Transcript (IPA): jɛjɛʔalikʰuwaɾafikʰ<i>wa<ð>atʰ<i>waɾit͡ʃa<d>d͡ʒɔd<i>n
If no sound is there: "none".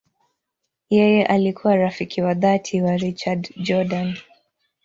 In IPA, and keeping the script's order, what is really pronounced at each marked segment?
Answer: i, ð, i, d, a

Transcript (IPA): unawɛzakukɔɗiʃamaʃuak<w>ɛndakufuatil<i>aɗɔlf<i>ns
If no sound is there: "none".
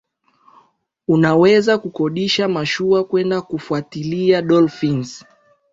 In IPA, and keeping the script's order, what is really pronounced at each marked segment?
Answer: w, i, i

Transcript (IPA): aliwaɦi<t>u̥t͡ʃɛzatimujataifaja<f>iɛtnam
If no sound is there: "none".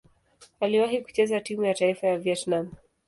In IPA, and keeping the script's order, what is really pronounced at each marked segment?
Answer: k, v

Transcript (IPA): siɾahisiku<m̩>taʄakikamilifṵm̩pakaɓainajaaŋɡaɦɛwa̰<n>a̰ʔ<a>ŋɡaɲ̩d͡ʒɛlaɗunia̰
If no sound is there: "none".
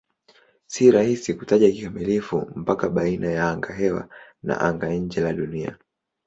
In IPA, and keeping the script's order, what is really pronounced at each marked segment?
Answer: none, n, a

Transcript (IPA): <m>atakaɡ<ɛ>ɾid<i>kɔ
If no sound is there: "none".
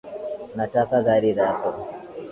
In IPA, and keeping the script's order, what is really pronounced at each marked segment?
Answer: n, a, a

